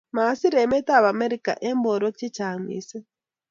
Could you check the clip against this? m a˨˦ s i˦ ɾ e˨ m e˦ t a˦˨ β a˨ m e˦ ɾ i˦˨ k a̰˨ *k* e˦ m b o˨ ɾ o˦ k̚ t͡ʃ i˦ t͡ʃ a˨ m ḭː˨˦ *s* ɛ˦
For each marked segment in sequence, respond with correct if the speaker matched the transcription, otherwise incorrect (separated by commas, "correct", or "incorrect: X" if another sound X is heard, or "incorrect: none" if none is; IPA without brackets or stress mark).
incorrect: ʔ, correct